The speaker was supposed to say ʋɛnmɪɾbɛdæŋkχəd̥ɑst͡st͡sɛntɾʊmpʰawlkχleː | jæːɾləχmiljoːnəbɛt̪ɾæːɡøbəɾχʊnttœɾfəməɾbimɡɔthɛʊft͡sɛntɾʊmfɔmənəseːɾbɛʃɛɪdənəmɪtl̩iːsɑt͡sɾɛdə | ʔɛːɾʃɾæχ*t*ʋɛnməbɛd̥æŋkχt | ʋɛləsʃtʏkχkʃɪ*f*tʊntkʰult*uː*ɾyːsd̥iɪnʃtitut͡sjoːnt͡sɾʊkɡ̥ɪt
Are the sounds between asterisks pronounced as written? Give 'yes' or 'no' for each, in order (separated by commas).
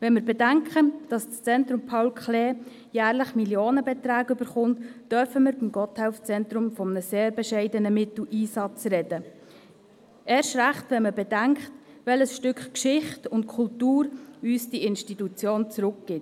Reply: yes, no, yes